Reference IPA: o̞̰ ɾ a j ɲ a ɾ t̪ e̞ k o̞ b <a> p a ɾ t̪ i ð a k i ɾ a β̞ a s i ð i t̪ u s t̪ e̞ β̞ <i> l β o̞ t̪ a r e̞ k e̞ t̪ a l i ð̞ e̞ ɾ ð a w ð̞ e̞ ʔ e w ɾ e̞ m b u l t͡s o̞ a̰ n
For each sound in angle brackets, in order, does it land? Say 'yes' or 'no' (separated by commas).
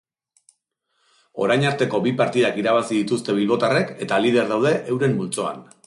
no, yes